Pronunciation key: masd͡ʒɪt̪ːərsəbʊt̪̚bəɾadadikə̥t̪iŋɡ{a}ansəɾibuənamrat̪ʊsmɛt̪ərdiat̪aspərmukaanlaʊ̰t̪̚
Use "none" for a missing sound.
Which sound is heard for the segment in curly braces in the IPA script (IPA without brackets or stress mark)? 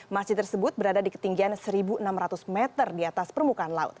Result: i